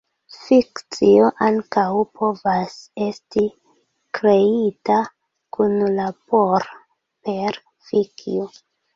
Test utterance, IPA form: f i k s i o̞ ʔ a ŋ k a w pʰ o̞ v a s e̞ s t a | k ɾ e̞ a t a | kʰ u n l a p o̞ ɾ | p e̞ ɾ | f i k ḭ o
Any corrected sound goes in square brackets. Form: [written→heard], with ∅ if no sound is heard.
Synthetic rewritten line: f i k [s→t͡s] i o̞ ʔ a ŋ k a w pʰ o̞ v a s e̞ s t [a→i] | k ɾ e̞ [a→i] t a | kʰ u n l a p o̞ ɾ | p e̞ ɾ | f i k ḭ o